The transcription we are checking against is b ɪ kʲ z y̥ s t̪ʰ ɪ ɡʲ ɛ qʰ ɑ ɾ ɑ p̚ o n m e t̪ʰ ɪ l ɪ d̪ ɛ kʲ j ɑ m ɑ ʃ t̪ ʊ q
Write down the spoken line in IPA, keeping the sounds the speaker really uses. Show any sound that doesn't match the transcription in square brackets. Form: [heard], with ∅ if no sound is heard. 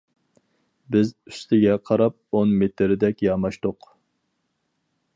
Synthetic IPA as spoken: b ɪ [∅] z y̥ s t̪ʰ ɪ ɡʲ ɛ qʰ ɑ ɾ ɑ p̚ o n m e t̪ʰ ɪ [ɾ] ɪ d̪ ɛ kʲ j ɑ m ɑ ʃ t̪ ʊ q

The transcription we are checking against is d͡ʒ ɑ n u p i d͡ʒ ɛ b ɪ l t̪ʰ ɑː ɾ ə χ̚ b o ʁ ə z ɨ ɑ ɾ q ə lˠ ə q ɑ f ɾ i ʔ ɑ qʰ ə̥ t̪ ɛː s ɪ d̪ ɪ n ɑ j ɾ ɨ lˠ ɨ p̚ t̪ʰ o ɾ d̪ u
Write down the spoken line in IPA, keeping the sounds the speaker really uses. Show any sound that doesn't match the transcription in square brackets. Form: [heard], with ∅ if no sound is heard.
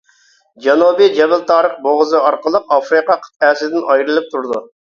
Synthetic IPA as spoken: d͡ʒ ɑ n u [b] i d͡ʒ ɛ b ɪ l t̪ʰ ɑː ɾ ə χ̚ b o ʁ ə z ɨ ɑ ɾ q ə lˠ ə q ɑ f ɾ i [q] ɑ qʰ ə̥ t̪ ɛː s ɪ d̪ ɪ n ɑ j ɾ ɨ lˠ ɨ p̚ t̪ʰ [u] ɾ d̪ u

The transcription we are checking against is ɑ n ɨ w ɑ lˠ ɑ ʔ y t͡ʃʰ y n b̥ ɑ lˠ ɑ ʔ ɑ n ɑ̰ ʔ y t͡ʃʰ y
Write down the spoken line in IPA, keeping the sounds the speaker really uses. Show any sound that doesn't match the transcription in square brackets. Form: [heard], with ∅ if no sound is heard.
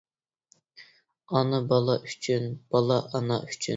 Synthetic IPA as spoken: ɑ n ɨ [b] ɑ lˠ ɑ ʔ y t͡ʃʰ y n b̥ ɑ lˠ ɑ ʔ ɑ n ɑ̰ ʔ y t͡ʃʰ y

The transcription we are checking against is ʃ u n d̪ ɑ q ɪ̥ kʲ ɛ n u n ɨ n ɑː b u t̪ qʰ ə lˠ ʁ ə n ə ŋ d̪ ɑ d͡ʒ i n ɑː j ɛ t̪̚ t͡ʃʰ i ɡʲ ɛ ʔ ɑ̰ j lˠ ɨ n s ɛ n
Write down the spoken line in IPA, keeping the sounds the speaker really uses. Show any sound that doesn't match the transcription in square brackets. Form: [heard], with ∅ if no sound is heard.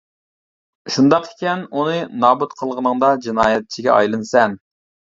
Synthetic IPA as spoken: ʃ u n d̪ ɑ q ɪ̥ kʲ ɛ n u n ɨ n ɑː b u t̪ qʰ ə lˠ ʁ ə n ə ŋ d̪ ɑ d͡ʒ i n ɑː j ɛ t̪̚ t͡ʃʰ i ɡʲ ɛ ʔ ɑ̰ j lˠ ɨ n s ɛ n

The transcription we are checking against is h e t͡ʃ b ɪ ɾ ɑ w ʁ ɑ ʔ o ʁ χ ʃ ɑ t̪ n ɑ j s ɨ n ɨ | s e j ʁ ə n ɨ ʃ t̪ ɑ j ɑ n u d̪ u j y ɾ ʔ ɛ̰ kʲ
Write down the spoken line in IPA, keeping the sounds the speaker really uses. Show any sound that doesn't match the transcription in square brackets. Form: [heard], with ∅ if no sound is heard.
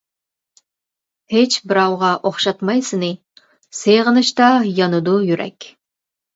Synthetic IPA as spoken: h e t͡ʃ b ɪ ɾ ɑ w ʁ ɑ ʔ o [∅] χ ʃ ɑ t̪ [m] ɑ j s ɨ n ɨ | s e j ʁ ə n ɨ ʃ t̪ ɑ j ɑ n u d̪ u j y ɾ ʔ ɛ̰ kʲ

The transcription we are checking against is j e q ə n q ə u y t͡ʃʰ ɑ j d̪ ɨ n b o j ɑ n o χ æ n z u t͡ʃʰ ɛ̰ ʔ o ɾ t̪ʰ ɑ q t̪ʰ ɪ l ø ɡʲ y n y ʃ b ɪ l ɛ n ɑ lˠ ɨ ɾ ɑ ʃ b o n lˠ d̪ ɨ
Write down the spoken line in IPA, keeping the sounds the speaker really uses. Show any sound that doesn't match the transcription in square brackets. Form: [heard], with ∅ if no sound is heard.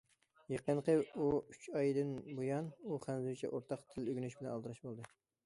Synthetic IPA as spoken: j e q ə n q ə u y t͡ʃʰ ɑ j d̪ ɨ n b o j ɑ n [u] χ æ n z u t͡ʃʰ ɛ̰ ʔ o ɾ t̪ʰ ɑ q t̪ʰ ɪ l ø ɡʲ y n y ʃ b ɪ l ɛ n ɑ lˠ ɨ ɾ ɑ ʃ b o [∅] lˠ d̪ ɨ

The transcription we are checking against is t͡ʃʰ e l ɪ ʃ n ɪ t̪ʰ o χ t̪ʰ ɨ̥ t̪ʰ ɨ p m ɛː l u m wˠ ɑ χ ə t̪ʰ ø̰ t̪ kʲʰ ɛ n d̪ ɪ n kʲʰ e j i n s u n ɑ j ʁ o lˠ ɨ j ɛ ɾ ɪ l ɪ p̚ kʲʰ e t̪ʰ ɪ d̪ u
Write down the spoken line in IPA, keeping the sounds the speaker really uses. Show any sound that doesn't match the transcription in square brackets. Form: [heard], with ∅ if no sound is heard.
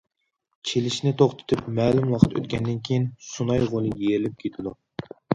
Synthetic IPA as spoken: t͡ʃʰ e l ɪ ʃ n ɪ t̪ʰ o χ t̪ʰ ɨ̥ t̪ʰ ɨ p m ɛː l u m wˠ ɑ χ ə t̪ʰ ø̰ t̪ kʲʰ ɛ n d̪ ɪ n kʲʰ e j i n s u n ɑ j ʁ o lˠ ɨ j [e] ɾ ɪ l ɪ p̚ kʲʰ e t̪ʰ ɪ d̪ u

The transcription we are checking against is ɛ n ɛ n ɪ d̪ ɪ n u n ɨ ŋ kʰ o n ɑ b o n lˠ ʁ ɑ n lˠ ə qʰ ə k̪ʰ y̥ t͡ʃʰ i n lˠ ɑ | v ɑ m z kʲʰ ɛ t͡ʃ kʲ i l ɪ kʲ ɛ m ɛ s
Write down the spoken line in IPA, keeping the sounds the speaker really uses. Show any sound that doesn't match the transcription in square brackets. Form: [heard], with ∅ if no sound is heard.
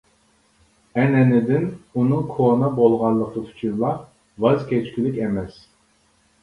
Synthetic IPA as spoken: ɛ n ɛ n ɪ d̪ ɪ n u n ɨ ŋ kʰ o n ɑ b o [∅] lˠ ʁ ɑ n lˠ ə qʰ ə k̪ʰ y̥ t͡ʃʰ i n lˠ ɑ | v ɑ [∅] z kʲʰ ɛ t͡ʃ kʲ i l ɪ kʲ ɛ m ɛ s

